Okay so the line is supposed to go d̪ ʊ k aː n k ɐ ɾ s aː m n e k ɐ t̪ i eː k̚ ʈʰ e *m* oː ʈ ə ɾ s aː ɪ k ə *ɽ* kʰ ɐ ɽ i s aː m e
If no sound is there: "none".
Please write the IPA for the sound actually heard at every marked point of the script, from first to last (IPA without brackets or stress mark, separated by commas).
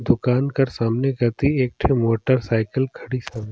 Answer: m, l